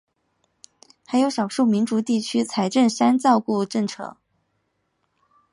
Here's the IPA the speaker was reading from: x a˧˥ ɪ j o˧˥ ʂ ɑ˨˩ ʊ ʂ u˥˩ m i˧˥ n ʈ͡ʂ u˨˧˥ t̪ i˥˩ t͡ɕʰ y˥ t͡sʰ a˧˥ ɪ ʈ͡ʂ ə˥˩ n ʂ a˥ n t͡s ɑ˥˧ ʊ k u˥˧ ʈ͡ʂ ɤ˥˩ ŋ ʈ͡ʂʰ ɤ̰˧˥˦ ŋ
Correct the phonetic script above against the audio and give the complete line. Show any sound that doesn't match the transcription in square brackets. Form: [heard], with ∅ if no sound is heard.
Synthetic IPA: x a˧˥ ɪ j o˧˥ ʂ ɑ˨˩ ʊ ʂ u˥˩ m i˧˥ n ʈ͡ʂ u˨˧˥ t̪ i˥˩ t͡ɕʰ y˥ t͡sʰ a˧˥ ɪ ʈ͡ʂ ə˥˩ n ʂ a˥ n t͡s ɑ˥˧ ʊ k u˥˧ ʈ͡ʂ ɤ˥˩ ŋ ʈ͡ʂʰ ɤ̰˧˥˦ ŋ